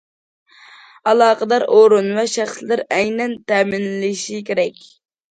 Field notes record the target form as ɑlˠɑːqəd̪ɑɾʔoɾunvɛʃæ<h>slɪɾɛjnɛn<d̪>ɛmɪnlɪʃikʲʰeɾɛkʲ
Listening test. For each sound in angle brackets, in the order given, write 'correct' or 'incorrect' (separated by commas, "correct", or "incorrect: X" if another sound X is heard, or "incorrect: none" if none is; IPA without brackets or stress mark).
incorrect: χ, incorrect: t̪